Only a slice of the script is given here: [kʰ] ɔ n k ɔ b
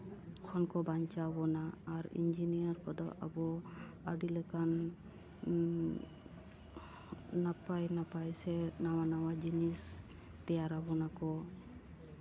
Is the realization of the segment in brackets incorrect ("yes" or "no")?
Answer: no